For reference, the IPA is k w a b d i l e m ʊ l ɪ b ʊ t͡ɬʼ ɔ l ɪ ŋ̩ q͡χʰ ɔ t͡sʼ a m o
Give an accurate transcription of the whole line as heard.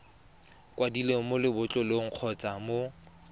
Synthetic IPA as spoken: k w a d i l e m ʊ l ɪ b ʊ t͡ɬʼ ɔ l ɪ ŋ̩ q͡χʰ ɔ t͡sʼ a m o